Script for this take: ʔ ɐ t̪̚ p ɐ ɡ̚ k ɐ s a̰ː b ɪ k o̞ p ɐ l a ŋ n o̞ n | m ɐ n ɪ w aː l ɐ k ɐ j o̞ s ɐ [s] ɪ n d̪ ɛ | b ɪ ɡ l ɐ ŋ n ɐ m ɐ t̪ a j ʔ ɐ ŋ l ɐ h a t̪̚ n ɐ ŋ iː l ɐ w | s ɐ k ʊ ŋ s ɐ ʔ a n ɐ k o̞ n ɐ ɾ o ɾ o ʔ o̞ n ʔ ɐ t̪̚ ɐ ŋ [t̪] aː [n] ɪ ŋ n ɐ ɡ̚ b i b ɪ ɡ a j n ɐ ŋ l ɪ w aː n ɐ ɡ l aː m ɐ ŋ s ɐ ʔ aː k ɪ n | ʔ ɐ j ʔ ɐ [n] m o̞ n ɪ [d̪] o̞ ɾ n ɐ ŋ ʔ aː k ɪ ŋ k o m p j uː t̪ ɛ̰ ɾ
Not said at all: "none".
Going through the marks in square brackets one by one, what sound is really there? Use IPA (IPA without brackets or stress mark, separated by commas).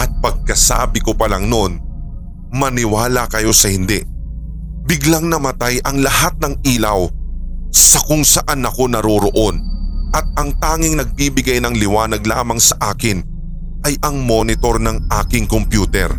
h, t̪, ŋ, ŋ, t̪